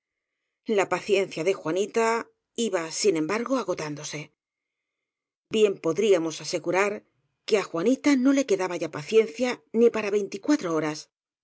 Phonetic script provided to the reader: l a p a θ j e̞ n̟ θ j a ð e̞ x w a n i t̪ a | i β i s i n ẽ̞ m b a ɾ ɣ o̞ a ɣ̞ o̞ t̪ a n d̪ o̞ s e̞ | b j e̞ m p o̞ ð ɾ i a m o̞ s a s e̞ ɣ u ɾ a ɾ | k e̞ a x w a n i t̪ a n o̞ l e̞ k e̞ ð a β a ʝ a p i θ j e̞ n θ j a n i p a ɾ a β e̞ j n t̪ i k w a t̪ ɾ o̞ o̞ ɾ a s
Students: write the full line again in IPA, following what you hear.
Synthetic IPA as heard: l a p a θ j e̞ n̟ θ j a ð e̞ x w a n i t̪ a | i β a s i n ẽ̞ m b a ɾ ɣ o̞ a ɣ̞ o̞ t̪ a n d̪ o̞ s e̞ | b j e̞ m p o̞ ð ɾ i a m o̞ s a s e̞ ɣ u ɾ a ɾ | k e̞ a x w a n i t̪ a n o̞ l e̞ k e̞ ð a β a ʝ a p a θ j e̞ n θ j a n i p a ɾ a β e̞ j n t̪ i k w a t̪ ɾ o̞ o̞ ɾ a s